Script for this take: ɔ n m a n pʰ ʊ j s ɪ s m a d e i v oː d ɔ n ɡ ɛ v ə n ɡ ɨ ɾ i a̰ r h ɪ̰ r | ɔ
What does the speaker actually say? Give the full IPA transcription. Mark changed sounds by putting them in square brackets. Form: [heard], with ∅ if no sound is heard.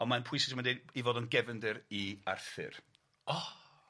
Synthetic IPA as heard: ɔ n m a n pʰ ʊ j s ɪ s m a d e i v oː d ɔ n ɡ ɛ v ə n [d] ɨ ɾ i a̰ r [θ] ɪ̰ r | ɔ